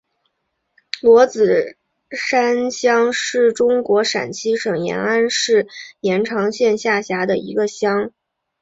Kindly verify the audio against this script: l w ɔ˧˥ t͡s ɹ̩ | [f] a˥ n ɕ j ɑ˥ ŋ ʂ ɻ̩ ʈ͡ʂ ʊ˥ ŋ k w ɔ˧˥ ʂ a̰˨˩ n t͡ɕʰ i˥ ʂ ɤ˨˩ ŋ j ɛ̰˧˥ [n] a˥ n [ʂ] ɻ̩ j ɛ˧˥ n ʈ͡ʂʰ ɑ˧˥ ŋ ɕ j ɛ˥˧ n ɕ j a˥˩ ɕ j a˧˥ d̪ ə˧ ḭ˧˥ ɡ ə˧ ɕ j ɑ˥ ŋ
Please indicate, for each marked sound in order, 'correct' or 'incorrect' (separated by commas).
incorrect, correct, correct